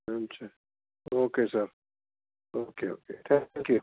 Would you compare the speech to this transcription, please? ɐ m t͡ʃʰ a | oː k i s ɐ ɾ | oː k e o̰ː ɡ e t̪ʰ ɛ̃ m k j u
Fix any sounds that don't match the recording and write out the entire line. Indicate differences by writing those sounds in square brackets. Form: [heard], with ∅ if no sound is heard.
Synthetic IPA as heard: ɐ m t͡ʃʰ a | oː k [e] s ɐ ɾ | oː k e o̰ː [k] e t̪ʰ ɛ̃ [ŋ] k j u